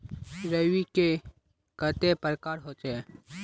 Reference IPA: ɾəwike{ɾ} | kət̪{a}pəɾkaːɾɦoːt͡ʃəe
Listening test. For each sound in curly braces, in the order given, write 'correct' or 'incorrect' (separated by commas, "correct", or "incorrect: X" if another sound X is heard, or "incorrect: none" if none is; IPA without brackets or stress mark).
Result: incorrect: none, incorrect: e